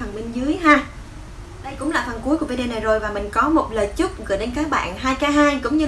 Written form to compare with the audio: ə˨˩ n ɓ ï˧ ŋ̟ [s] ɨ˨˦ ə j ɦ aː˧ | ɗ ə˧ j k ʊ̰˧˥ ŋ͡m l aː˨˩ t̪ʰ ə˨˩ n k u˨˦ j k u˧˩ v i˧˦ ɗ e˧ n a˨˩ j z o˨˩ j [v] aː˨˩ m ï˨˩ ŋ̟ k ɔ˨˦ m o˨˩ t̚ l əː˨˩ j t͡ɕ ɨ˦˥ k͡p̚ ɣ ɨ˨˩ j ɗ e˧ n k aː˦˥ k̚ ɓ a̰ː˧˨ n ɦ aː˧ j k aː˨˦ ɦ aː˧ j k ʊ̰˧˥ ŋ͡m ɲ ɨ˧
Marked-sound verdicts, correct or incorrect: incorrect: z, correct

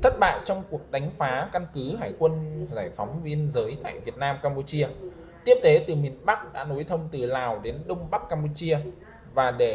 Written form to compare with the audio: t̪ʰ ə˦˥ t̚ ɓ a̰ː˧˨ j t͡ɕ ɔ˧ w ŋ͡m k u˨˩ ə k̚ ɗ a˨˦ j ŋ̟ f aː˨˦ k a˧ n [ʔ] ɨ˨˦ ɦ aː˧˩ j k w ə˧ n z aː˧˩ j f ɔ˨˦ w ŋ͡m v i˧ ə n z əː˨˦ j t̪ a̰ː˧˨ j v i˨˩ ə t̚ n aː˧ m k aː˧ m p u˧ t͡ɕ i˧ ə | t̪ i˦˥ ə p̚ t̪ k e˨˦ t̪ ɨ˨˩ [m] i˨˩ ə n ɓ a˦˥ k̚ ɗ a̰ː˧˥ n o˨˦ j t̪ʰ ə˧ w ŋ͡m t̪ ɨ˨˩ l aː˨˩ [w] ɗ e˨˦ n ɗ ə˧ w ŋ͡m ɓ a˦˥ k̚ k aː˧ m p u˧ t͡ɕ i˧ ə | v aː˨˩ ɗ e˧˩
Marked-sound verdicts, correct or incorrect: incorrect: k, correct, correct

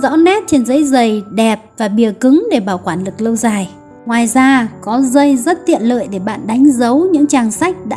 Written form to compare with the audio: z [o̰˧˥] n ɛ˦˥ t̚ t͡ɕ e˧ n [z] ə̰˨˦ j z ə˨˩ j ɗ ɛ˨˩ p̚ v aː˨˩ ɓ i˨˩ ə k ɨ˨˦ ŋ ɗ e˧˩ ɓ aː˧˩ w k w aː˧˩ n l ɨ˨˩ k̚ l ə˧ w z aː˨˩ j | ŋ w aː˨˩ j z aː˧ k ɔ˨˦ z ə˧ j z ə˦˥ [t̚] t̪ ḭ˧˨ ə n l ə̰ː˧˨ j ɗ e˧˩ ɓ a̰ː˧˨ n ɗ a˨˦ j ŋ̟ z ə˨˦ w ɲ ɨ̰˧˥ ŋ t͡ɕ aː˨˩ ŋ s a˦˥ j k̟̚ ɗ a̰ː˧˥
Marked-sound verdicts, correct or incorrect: incorrect: ɔ̰˧˥, correct, correct

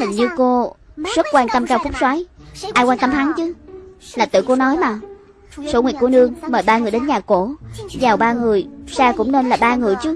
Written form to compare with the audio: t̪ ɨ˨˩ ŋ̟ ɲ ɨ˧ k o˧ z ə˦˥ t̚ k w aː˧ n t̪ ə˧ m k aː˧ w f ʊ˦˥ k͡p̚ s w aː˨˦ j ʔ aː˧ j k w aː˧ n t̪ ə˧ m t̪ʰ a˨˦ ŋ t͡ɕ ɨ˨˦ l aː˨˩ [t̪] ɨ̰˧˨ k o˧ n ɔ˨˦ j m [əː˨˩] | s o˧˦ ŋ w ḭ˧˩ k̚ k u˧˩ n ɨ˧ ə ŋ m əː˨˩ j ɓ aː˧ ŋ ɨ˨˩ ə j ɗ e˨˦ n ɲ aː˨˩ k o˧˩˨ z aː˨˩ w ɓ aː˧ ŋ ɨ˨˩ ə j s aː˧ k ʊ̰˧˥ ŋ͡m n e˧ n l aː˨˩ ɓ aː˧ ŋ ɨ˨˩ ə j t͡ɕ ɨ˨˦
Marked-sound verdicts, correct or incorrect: correct, incorrect: aː˨˩

